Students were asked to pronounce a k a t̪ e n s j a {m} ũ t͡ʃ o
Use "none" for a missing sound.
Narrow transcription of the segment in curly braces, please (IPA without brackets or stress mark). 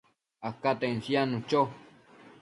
n